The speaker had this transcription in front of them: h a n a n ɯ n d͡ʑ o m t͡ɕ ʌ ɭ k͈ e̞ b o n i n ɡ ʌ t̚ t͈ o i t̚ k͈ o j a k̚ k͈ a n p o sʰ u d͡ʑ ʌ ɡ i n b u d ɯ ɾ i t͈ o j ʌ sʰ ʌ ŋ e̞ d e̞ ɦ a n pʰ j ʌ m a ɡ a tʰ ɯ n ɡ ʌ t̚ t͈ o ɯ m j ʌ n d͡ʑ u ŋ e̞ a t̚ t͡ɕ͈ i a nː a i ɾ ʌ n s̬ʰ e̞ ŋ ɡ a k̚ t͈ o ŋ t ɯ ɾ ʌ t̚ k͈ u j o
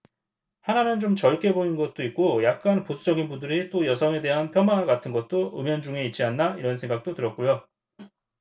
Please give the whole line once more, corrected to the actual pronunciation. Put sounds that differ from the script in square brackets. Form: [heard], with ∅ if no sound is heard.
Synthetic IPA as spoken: h a n a n ɯ n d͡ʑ o m t͡ɕ ʌ ɭ k͈ e̞ b o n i n ɡ ʌ t̚ t͈ o i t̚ k͈ o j a k̚ k͈ a n p o sʰ u d͡ʑ ʌ ɡ i n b u d ɯ ɾ i t͈ o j ʌ sʰ ʌ ŋ e̞ d e̞ ɦ a n pʰ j ʌ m a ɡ a tʰ ɯ n ɡ ʌ t̚ t͈ o ɯ m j ʌ n d͡ʑ u ŋ e̞ [i] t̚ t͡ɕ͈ i a nː a i ɾ ʌ n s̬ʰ e̞ ŋ ɡ a k̚ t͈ o [∅] t ɯ ɾ ʌ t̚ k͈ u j o